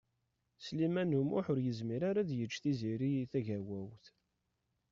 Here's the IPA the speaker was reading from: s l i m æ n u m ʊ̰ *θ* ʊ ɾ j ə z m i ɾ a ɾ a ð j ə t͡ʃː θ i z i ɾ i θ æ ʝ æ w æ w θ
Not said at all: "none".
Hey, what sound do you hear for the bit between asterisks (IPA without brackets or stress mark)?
ħ